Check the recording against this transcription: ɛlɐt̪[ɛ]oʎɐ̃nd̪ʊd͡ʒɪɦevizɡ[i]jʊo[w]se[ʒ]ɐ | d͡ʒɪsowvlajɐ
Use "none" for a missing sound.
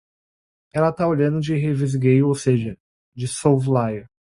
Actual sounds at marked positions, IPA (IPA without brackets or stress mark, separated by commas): a, e, w, ʒ